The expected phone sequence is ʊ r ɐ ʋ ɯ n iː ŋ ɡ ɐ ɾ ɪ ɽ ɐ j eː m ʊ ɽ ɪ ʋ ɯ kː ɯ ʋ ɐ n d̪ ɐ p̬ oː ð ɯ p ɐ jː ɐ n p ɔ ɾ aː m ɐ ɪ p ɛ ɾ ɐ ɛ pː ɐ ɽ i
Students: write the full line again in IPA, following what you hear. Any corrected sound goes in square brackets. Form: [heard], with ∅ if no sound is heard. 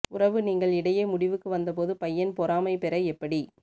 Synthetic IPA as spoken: ʊ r ɐ ʋ ɯ n iː ŋ ɡ ɐ [ɭ] ɪ ɽ ɐ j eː m ʊ ɽ ɪ ʋ ɯ kː ɯ ʋ ɐ n d̪ ɐ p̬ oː ð ɯ p ɐ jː ɐ n p ɔ ɾ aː m ɐ ɪ p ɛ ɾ ɐ ɛ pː ɐ ɽ i